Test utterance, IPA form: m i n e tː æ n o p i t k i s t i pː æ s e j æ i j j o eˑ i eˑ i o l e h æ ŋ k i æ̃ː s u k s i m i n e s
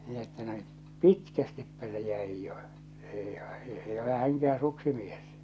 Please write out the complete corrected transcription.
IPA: m i n e tː æ n o p i t k æ s t i pː æ s e j æ i j j o eˑ i eˑ i o l e h æ ŋ k æ æ̃ː s u k s i m i e s